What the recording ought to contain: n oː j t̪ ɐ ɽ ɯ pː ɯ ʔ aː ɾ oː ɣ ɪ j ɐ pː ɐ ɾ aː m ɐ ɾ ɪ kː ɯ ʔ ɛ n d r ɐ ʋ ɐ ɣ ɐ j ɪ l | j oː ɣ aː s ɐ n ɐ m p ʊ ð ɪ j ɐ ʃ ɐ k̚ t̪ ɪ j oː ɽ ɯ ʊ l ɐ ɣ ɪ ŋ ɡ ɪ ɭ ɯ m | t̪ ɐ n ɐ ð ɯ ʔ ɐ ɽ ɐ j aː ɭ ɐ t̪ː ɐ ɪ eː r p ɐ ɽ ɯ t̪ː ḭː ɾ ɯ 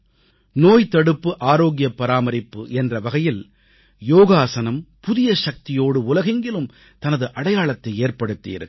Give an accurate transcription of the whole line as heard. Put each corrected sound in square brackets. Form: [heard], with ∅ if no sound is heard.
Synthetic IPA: n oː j t̪ ɐ ɽ ɯ pː ɯ ʔ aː ɾ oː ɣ ɪ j ɐ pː ɐ ɾ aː m ɐ ɾ ɪ [pː] ɯ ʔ ɛ n d r ɐ ʋ ɐ ɣ ɐ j ɪ l | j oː ɣ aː s ɐ n ɐ m p ʊ ð ɪ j ɐ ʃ ɐ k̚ t̪ ɪ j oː ɽ ɯ ʊ l ɐ ɣ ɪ ŋ ɡ ɪ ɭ ɯ m | t̪ ɐ n ɐ ð ɯ ʔ ɐ ɽ ɐ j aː ɭ ɐ t̪ː ɐ ɪ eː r p ɐ ɽ ɯ t̪ː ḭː ɾ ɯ